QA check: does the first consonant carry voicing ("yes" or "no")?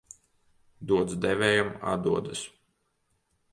yes